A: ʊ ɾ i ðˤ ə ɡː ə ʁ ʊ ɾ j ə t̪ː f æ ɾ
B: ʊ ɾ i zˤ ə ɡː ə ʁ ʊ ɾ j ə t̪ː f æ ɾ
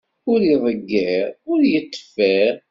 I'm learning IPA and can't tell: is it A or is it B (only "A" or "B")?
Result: A